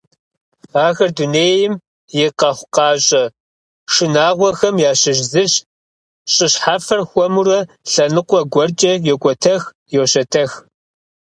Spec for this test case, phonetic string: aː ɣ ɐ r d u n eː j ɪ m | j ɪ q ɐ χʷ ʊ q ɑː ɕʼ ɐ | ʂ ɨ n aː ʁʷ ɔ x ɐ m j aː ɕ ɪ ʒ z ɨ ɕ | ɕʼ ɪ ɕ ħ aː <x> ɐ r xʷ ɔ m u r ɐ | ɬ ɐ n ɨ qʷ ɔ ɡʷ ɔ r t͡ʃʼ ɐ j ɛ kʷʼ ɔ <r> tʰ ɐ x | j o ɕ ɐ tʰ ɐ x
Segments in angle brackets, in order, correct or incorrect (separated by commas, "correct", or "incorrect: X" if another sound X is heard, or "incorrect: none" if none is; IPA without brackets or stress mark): incorrect: f, incorrect: none